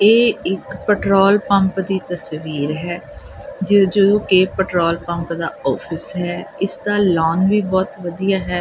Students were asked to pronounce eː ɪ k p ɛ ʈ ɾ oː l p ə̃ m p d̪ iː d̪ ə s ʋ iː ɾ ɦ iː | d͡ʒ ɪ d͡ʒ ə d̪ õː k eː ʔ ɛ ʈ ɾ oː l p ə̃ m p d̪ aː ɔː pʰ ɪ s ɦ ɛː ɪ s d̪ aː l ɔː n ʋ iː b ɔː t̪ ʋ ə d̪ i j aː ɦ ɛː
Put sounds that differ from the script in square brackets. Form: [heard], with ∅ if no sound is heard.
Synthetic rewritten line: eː ɪ k p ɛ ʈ ɾ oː l p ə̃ m p d̪ iː [t̪] ə s ʋ iː ɾ ɦ [ɛː] | d͡ʒ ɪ d͡ʒ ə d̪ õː k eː [p] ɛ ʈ ɾ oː l p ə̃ m p d̪ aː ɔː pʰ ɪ s ɦ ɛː ɪ s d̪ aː l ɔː n ʋ iː b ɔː t̪ ʋ ə d̪ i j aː ɦ ɛː